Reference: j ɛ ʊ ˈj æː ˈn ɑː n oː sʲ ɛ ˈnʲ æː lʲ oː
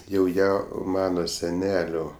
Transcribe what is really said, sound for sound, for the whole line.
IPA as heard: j ɛ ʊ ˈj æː ˈm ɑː n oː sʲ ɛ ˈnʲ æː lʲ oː

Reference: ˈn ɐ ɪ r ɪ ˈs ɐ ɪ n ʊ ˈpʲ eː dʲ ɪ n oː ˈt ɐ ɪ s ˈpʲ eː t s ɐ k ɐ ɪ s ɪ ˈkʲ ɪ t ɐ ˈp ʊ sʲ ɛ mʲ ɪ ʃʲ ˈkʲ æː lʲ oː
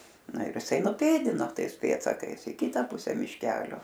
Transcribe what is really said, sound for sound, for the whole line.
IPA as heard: ˈn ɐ ɪ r ɪ ˈs ɐ ɪ n ʊ ˈpʲ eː dʲ ɪ n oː ˈt ɐ ɪ s ˈpʲ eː t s ɐ k ɐ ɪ s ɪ ˈkʲ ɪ t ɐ ˈp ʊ sʲ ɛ mʲ ɪ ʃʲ ˈkʲ æː lʲ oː

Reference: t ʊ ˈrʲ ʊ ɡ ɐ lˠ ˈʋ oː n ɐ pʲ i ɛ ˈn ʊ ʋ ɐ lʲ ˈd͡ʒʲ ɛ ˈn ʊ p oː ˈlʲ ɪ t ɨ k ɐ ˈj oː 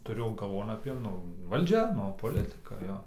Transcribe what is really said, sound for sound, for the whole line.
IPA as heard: t ʊ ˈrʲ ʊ ɡ ɐ lˠ ˈʋ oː n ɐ pʲ i ɛ ˈn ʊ ʋ ɐ lʲ ˈd͡ʒʲ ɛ ˈn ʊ p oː ˈlʲ ɪ t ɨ k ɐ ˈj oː

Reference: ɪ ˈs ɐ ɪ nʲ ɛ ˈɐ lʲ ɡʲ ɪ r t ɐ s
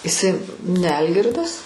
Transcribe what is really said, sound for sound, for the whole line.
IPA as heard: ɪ ˈs ɐ ɪ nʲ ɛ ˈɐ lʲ ɡʲ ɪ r d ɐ s

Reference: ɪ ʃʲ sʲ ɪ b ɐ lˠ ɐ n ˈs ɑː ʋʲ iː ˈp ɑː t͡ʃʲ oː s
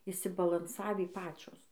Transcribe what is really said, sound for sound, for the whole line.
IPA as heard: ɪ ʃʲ sʲ ɪ b ɐ lˠ ɐ n ˈs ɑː ʋʲ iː ˈp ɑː t͡ʃʲ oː s

